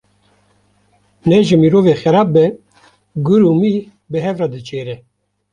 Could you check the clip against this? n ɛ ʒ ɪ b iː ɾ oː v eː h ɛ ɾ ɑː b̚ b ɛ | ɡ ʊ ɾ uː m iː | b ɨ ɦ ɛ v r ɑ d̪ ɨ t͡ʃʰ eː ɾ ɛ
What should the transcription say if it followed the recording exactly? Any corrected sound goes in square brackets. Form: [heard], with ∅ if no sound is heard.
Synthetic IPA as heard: n ɛ ʒ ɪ [m] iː ɾ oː v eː [x] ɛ ɾ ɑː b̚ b ɛ | ɡ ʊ ɾ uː m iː | b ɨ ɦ ɛ v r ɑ d̪ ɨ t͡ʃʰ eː ɾ ɛ